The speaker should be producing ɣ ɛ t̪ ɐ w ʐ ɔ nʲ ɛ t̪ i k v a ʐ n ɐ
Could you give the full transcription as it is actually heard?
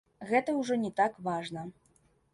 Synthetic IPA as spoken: ɣ ɛ t̪ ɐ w ʐ ɔ nʲ ɛ t̪ a k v a ʐ n ɐ